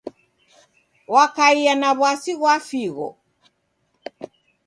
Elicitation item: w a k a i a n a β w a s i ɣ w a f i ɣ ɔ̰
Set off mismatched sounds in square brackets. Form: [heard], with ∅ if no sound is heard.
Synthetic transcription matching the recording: w a k a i a n a β w a s i ɣ w a f i ɣ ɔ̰

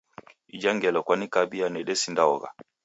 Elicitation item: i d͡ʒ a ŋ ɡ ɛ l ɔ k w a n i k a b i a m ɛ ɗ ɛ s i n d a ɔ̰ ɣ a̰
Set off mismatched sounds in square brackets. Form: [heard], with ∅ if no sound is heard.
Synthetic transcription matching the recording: i d͡ʒ a ŋ ɡ ɛ l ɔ k w a n i k a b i a [n] ɛ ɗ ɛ s i n d a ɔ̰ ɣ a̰

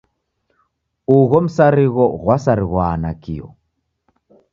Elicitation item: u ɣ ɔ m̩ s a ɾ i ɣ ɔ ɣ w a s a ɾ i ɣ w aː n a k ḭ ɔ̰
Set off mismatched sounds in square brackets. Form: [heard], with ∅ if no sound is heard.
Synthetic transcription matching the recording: u ɣ ɔ m̩ s a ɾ i ɣ ɔ ɣ w a s a ɾ i ɣ w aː n a k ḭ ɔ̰

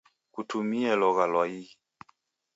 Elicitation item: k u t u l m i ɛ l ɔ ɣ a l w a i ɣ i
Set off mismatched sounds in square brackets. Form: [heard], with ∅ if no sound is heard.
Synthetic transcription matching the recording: k u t u [∅] m i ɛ l ɔ ɣ a l w a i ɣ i

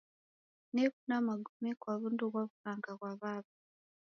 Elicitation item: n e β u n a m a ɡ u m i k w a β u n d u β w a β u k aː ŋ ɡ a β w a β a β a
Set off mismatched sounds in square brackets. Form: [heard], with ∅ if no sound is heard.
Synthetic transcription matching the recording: n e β u n a m a ɡ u m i k w a β u n d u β w a β u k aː ŋ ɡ a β w a β a β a

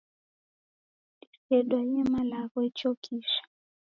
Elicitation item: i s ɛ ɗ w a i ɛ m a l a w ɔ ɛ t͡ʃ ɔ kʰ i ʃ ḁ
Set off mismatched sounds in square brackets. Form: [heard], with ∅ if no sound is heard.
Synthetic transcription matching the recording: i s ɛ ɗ w a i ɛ m a l a [ɣ] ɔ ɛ t͡ʃ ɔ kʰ i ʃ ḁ

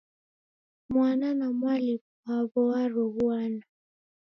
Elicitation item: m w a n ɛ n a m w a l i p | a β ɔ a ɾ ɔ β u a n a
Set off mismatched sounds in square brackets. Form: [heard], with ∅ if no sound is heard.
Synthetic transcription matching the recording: m w a n [a] n a m w a l i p | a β ɔ a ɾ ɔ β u a n a

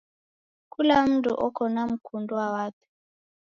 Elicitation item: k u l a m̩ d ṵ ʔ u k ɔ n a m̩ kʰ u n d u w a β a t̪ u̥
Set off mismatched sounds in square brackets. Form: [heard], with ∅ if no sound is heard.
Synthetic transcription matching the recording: k u l a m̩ d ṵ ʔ [ɔ] k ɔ n a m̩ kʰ u n d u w a [w] a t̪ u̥

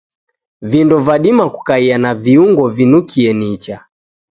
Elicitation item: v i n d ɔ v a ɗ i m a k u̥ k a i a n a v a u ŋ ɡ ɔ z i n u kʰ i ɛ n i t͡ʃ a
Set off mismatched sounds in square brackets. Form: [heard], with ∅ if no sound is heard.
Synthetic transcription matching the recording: v i n d ɔ v a ɗ i m a k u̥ k a i a n a v [i] u ŋ ɡ ɔ [v] i n u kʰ i ɛ n i t͡ʃ a

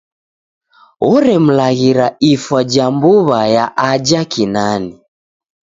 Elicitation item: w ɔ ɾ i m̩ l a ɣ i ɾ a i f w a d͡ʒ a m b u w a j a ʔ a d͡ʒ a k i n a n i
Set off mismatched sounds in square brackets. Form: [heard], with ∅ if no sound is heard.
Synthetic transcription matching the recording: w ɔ ɾ [ɛ] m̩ l a ɣ i ɾ a i f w a d͡ʒ a m b u [β] a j a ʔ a d͡ʒ a k i n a n i

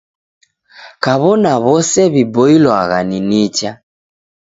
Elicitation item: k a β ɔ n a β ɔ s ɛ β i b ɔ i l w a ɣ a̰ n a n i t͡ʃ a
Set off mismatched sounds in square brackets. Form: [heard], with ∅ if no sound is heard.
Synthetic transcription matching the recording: k a β ɔ n a β ɔ s ɛ β i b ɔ i l w a ɣ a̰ n [i] n i t͡ʃ a

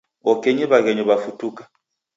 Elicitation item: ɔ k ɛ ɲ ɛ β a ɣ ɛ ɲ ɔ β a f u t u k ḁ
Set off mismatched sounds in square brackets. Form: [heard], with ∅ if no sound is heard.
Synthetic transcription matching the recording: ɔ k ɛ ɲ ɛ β a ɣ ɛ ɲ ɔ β a f u t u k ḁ

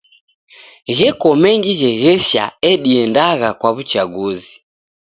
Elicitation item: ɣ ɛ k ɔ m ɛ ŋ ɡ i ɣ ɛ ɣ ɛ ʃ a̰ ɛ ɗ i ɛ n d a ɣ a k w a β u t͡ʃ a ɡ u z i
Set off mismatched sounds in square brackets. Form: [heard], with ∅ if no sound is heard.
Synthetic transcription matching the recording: ɣ ɛ k ɔ m ɛ ŋ ɡ i ɣ ɛ ɣ ɛ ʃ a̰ ɛ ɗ i ɛ n d a ɣ a k w a β u t͡ʃ a ɡ u z i

